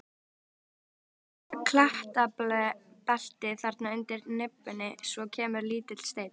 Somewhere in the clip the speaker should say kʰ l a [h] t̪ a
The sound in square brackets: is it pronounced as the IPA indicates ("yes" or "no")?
yes